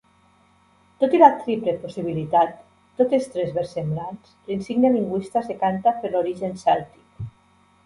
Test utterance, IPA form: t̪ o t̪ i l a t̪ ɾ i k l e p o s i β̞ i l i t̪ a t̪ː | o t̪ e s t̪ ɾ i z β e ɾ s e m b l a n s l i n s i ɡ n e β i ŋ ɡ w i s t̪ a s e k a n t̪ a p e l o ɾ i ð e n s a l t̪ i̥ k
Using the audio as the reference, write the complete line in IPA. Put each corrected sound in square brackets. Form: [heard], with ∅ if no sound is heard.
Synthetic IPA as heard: t̪ o t̪ i l a t̪ ɾ i [p] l e p o s i β̞ i l i t̪ a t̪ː | o t̪ e s t̪ ɾ [e] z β e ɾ s e m b l a n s l i n s i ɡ n e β i ŋ ɡ w i s t̪ a s e k a n t̪ a p e l o ɾ i [ʒ] e n s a l t̪ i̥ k